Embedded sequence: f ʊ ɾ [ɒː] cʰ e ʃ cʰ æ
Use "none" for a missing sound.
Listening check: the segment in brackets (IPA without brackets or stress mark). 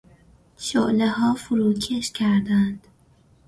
uː